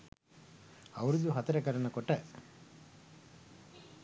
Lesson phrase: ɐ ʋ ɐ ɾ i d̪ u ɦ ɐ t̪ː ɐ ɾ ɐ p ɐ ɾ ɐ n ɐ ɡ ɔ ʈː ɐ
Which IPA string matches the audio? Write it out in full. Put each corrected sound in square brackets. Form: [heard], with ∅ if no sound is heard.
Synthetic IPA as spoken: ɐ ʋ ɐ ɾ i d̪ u ɦ ɐ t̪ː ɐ ɾ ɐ [k] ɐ ɾ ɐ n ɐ [k] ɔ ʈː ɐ